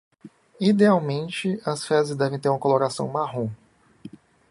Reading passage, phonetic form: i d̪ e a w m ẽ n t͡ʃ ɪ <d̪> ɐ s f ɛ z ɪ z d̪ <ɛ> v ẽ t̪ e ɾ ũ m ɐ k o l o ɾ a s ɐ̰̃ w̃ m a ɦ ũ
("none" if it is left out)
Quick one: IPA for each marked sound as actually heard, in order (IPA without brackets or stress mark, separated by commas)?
none, ɛ